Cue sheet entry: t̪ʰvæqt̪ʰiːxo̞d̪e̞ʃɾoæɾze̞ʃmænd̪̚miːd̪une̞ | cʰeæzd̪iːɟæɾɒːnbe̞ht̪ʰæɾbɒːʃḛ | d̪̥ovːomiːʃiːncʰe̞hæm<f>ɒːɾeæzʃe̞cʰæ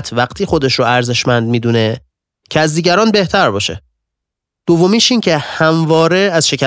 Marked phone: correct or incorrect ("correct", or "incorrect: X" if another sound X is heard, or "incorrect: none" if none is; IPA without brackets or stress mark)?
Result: incorrect: v